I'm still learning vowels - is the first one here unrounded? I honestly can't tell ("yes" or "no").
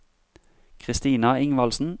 yes